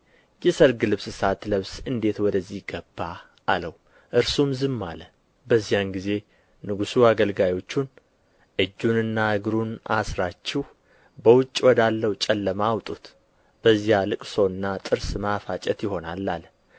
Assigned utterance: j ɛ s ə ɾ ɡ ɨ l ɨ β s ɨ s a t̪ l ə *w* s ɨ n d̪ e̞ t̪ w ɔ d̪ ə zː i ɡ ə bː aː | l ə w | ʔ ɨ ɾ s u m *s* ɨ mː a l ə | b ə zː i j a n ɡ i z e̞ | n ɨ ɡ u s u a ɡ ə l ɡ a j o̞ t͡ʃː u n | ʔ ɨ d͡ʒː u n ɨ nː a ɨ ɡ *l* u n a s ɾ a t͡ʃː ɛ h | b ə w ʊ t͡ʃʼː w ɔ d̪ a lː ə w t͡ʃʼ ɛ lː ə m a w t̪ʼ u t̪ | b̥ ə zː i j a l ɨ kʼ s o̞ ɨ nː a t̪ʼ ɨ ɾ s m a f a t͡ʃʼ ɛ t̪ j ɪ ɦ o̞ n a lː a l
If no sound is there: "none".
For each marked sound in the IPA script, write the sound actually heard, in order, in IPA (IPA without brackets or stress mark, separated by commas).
β, z, ɾ